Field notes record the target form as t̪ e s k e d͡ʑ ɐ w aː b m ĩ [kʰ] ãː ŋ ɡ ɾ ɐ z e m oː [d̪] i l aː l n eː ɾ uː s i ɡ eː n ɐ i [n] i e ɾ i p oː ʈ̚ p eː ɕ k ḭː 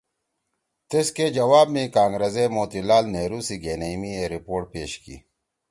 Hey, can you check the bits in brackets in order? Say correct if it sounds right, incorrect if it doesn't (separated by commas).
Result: incorrect, incorrect, incorrect